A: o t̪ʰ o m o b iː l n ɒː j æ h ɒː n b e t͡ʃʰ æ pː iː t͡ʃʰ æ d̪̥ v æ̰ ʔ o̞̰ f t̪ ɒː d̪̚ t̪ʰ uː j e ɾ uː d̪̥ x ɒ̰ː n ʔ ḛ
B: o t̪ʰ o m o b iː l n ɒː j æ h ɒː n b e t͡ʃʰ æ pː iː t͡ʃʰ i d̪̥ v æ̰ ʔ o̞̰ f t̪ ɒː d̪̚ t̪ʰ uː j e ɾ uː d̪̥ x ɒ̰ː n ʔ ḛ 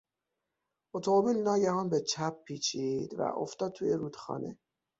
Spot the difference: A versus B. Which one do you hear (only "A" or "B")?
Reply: B